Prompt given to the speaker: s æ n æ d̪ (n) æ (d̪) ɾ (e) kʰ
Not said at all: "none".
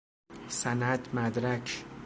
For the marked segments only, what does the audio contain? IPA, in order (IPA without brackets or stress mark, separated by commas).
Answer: m, d̪, æ